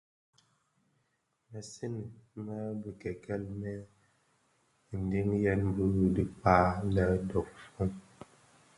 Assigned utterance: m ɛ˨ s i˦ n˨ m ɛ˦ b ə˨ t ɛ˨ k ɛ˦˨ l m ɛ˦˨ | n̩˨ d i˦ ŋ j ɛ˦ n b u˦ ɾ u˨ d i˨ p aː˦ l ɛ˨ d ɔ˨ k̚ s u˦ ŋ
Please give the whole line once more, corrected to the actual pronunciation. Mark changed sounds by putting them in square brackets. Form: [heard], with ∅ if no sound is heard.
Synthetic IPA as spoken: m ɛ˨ s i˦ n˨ m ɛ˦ b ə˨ [k] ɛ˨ k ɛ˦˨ l m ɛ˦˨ | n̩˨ d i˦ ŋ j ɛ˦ n b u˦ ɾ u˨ d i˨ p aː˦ l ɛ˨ d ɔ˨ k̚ [f] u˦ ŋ